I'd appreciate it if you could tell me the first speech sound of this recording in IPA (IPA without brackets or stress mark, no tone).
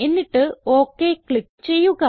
e̞